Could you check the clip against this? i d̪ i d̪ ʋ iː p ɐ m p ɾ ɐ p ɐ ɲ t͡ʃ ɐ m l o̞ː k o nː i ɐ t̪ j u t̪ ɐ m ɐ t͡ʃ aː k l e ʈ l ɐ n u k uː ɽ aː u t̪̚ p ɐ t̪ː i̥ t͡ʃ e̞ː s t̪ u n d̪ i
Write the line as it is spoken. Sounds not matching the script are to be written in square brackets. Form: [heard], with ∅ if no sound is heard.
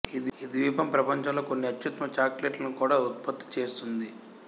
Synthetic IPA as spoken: i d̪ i d̪ ʋ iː p ɐ m p ɾ ɐ p ɐ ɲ t͡ʃ ɐ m l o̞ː k o nː i ɐ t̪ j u t̪ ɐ m ɐ t͡ʃ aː k l e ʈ l ɐ n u k uː ɽ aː u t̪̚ p ɐ t̪ː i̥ t͡ʃ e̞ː s t̪ u n d̪ i